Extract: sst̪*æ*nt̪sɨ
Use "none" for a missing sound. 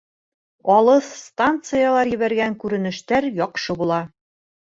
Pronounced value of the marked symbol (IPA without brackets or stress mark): a